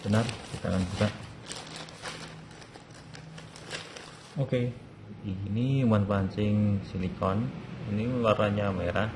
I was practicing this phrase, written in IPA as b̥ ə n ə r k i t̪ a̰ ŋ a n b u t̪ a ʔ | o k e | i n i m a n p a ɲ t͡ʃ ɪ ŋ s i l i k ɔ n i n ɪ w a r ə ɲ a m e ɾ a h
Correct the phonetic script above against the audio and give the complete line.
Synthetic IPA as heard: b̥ ə n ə r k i t̪ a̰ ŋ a n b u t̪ a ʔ | o k e | i n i m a n p a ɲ t͡ʃ ɪ ŋ s i l i k ɔ n i n i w a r a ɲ a m e ɾ a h